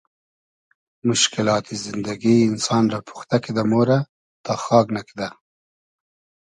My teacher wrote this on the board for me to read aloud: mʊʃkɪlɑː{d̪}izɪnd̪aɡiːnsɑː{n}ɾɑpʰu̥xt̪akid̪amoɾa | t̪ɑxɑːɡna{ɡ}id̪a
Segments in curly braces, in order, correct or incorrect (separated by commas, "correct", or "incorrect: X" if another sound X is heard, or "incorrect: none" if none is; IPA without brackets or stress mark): incorrect: t̪, correct, incorrect: k